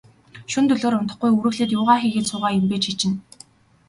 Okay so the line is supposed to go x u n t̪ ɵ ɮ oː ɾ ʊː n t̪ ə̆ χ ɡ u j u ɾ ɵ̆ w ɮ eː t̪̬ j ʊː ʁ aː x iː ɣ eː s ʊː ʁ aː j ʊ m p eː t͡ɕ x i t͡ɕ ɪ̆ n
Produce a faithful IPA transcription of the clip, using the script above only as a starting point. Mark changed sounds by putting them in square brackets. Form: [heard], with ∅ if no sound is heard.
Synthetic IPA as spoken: [ʃ] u n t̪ ɵ ɮ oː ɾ [ʊ] n t̪ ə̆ χ ɡ u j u ɾ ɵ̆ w ɮ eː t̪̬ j ʊː ʁ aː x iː ɣ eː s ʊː ʁ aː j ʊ m p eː t͡ɕ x i t͡ɕ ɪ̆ n